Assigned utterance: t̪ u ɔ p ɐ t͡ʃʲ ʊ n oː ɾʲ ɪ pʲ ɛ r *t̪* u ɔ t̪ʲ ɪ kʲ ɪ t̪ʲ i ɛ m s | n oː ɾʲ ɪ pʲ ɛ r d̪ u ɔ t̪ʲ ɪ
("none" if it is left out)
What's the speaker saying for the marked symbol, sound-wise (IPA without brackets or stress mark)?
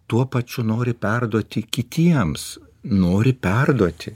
d̪